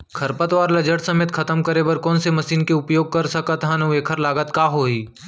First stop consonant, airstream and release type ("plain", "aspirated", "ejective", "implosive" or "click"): aspirated